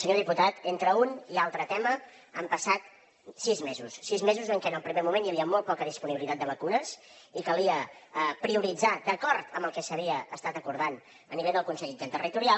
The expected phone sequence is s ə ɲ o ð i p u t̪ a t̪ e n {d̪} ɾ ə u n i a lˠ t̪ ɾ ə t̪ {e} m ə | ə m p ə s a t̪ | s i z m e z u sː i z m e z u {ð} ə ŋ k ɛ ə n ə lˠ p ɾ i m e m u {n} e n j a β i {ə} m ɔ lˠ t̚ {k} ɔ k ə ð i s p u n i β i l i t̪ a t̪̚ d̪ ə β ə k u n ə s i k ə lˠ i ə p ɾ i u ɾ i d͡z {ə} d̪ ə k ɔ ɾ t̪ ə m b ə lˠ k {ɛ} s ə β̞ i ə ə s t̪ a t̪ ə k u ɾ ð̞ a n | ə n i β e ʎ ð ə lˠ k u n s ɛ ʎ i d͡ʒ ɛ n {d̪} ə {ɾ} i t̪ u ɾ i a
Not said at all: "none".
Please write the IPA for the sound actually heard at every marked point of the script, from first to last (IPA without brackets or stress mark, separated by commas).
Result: t̪, ɛ, z, m, ə, p, a, ɛ, t̪, r